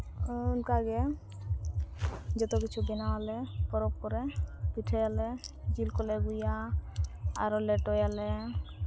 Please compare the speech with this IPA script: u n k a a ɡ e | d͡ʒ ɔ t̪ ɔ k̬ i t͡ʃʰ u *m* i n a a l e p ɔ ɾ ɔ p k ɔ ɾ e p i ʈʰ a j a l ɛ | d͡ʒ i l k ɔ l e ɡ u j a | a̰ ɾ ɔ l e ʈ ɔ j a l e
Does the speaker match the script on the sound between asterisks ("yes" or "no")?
no